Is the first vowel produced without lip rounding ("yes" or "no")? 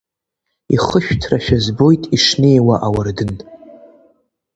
yes